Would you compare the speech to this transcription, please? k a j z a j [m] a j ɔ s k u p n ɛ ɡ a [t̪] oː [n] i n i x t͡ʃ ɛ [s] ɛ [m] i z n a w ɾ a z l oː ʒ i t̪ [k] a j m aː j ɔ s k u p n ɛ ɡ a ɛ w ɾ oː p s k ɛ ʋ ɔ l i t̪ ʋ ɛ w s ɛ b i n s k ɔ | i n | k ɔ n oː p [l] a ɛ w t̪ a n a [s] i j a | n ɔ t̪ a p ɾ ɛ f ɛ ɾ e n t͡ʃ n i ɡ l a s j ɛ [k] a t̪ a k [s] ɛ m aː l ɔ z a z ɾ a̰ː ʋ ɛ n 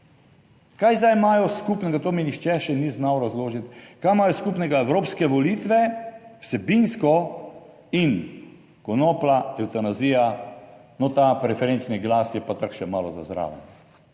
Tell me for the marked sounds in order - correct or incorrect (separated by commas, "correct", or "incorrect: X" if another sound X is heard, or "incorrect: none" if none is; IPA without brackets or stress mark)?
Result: correct, correct, incorrect: m, incorrect: ʃ, incorrect: n, correct, correct, incorrect: z, incorrect: p, incorrect: ʃ